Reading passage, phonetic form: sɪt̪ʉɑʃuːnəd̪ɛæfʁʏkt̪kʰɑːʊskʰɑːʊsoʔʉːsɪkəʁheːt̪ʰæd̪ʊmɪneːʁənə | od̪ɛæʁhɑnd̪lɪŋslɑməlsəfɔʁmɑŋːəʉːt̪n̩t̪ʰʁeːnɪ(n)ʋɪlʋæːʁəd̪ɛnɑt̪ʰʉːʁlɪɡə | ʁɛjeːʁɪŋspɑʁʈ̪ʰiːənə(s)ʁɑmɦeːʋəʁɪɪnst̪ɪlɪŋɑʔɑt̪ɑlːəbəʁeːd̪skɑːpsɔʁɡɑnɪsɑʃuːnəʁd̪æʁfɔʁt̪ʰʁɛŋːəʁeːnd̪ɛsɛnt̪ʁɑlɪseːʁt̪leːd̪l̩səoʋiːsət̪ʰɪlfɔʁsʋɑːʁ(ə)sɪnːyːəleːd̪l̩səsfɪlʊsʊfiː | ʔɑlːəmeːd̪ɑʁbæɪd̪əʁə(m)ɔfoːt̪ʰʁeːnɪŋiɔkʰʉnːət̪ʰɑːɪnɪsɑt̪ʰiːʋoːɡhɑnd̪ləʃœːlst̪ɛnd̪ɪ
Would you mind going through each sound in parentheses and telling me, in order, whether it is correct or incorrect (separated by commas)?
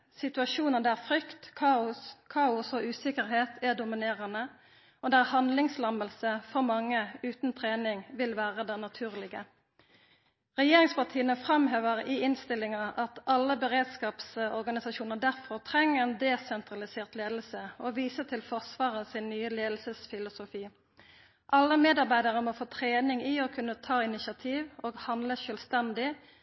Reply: incorrect, incorrect, correct, correct